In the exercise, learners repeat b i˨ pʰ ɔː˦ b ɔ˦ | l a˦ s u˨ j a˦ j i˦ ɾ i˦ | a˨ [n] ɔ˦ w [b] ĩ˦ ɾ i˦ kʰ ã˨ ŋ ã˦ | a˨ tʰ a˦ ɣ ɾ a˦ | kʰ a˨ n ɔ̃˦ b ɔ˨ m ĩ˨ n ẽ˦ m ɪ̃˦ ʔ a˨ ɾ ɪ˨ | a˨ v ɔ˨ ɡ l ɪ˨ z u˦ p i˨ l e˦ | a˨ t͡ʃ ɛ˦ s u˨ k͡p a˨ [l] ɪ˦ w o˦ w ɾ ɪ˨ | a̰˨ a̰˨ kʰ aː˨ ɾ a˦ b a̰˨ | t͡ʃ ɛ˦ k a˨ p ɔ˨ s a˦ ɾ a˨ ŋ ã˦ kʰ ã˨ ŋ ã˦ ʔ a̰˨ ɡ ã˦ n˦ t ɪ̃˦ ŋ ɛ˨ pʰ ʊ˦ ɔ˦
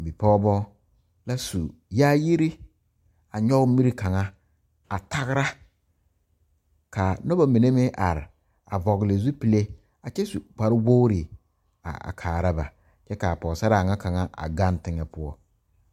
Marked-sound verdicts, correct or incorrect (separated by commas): incorrect, incorrect, incorrect